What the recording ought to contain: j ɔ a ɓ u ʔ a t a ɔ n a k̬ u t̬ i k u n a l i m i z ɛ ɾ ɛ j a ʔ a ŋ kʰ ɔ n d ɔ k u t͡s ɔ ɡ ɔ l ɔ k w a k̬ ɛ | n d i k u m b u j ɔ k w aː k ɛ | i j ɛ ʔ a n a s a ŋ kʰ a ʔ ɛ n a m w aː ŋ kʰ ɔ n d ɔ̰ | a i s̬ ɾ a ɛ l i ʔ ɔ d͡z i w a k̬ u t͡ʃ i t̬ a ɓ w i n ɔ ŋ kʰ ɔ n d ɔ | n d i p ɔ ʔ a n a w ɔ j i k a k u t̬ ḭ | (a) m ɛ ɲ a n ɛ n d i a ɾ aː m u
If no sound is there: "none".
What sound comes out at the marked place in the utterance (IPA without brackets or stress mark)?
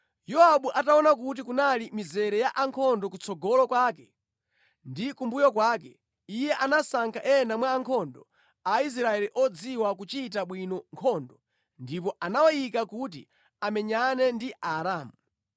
a